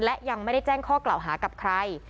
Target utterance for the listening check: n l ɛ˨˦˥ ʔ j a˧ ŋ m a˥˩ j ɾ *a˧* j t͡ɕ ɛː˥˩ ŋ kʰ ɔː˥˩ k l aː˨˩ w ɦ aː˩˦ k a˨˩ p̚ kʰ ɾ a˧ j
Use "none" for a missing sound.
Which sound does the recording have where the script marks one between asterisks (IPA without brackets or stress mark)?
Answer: a˥˩